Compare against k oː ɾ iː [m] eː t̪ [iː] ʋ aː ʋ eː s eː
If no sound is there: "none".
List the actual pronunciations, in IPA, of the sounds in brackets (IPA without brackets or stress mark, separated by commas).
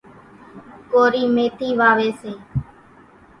m, iː